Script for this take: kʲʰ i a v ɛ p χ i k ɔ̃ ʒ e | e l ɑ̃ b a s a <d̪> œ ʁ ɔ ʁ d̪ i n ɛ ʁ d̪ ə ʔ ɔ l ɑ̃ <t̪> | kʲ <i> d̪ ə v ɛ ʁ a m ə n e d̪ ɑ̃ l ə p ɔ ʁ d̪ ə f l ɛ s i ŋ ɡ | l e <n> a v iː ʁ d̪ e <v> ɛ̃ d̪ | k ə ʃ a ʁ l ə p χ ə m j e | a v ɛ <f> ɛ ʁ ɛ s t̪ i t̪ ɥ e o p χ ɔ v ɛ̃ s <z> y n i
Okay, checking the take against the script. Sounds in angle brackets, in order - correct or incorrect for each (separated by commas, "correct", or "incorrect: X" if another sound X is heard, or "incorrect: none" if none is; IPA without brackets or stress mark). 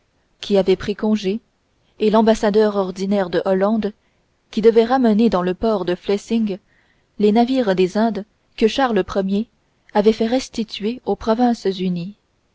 correct, incorrect: d̪, correct, correct, incorrect: z, correct, correct